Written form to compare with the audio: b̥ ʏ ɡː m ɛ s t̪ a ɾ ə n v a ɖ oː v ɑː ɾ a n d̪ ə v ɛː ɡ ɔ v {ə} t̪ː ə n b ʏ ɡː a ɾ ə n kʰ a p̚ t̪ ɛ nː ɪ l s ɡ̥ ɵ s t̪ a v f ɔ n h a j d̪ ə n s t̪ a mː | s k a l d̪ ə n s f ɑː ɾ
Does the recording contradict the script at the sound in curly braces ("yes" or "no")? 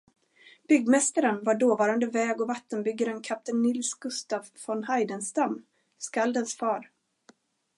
yes